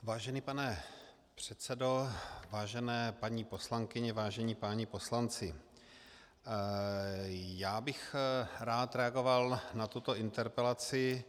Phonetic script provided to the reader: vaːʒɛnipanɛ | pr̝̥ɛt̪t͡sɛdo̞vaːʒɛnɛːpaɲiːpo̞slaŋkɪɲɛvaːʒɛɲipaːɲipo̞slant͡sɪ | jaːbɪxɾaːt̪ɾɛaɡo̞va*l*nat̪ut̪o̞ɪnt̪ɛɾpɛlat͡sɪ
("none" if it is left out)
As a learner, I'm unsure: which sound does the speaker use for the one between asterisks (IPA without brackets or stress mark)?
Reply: l